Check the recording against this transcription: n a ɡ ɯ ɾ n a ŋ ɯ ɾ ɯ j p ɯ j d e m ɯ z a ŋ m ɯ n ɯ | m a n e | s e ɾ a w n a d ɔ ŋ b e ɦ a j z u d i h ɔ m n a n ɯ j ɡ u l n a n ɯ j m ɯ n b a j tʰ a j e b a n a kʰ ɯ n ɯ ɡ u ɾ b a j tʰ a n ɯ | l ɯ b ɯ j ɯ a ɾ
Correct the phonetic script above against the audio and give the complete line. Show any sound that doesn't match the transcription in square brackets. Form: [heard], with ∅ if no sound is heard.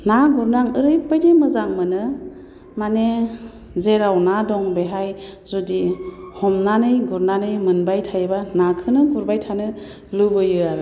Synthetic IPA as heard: n a ɡ [u] ɾ n a ŋ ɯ ɾ ɯ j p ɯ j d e m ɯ z a ŋ m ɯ n ɯ | m a n e | [z] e ɾ a w n a d ɔ ŋ b e ɦ a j z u d i h ɔ m n a n ɯ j ɡ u [ɾ] n a n ɯ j m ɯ n b a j tʰ a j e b a n a kʰ ɯ n ɯ ɡ u ɾ b a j tʰ a n ɯ | l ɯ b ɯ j ɯ a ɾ